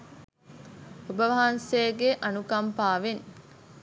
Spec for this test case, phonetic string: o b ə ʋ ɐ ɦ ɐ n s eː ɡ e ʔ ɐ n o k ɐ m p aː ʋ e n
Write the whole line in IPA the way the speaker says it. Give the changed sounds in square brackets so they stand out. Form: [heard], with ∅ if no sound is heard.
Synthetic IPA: o b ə ʋ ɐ ɦ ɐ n s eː ɡ e ʔ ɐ n [u] k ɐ m p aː ʋ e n

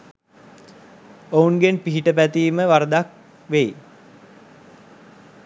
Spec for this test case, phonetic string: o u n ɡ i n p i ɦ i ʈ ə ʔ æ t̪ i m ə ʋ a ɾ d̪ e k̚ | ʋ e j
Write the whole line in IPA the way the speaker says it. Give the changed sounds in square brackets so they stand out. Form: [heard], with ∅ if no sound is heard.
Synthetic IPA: o u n ɡ [e] n p i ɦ i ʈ ə [p] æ t̪ [iː] m ə ʋ a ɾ d̪ [a] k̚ | ʋ e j

